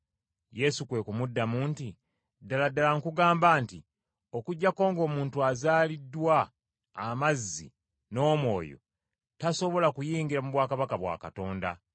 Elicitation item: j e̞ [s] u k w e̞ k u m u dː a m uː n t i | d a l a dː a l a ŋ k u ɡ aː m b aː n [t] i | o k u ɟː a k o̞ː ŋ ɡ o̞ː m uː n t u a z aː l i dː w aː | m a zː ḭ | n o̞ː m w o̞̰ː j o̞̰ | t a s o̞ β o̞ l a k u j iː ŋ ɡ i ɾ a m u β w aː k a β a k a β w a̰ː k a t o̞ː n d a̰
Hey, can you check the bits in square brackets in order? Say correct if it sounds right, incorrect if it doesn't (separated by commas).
correct, correct